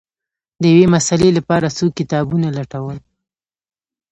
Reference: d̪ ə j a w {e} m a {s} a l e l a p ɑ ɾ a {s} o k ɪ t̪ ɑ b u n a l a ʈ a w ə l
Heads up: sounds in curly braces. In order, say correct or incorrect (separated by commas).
correct, correct, correct